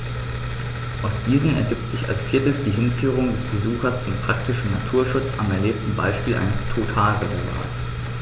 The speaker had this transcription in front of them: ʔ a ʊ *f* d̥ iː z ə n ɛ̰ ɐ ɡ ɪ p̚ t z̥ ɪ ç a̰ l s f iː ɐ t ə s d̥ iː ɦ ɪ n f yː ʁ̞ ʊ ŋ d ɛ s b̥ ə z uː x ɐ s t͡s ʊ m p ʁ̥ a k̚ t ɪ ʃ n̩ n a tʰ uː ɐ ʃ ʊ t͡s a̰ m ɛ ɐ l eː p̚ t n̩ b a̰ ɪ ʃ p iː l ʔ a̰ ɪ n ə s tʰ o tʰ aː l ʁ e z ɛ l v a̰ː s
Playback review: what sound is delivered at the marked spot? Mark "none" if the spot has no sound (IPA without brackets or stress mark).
s